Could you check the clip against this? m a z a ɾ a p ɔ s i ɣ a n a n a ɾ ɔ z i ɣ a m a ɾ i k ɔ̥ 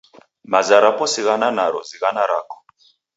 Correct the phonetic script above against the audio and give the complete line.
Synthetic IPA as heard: m a z a ɾ a p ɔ s i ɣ a n a n a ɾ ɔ z i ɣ a n a ɾ a k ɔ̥